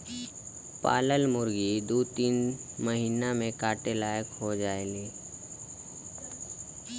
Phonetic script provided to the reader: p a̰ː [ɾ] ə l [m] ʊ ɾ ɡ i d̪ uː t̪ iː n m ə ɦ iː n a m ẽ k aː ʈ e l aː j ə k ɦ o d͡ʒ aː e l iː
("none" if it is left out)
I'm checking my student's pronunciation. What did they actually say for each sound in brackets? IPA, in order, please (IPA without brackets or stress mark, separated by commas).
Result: l, m